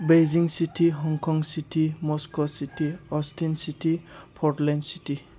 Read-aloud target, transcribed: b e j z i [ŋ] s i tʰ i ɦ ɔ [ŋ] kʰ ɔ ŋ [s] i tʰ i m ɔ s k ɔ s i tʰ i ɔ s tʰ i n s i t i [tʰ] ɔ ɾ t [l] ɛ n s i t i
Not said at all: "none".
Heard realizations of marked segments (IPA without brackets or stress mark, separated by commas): ŋ, ŋ, s, pʰ, l